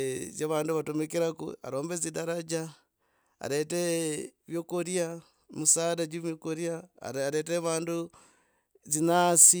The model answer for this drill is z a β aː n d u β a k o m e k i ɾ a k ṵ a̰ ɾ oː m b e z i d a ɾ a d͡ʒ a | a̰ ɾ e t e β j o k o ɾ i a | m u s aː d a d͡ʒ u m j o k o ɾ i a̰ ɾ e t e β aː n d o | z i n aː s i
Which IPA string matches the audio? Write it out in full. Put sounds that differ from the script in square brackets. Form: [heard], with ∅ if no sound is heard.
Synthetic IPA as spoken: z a β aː n d u β a [t] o m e k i ɾ a k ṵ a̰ ɾ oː m b e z i d a ɾ a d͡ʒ a | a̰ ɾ e t e β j o k o ɾ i a | m u s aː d a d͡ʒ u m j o k o ɾ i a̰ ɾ e t e β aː n d [u] | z i n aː s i